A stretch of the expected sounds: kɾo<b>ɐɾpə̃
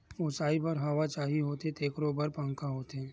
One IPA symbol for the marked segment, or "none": b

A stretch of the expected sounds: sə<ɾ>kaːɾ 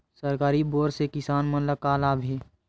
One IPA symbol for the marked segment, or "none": ɾ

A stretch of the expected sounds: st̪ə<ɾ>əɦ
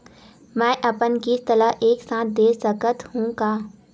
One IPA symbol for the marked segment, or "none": l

